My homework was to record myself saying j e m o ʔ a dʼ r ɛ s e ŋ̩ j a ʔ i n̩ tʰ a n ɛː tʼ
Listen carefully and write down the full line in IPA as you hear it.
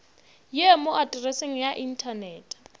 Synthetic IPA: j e m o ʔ a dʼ r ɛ s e ŋ̩ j a ʔ i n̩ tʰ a n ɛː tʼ